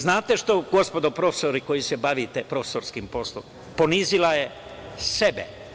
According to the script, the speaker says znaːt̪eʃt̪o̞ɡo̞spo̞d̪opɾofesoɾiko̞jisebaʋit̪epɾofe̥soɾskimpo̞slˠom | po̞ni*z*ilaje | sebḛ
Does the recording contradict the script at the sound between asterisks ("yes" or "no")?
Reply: no